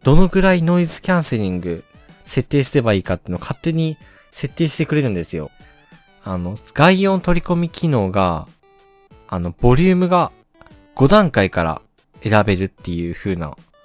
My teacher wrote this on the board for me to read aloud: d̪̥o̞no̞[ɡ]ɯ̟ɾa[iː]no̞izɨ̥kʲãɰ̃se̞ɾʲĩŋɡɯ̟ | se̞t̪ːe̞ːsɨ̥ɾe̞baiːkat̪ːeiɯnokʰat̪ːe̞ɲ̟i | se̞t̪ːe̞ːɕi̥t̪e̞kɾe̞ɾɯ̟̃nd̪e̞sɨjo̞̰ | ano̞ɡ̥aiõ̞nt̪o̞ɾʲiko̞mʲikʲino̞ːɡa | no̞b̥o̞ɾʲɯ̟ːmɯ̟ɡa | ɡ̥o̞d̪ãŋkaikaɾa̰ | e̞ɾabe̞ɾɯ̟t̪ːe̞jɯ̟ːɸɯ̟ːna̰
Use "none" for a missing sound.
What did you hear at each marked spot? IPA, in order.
ɡ, i

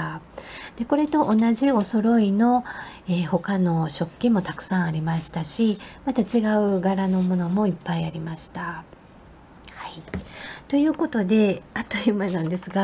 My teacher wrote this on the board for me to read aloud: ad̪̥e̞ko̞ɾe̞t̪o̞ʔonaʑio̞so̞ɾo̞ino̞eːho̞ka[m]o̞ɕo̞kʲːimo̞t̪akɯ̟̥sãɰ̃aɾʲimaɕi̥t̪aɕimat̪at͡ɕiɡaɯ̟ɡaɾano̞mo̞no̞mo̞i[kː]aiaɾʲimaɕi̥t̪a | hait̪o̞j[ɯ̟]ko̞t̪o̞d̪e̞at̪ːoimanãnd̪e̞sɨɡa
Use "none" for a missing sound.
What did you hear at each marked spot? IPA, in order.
n, pː, ɯ̟ː

